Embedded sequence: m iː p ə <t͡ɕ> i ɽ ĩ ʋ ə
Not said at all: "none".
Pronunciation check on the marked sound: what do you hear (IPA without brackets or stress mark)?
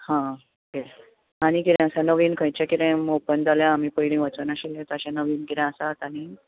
none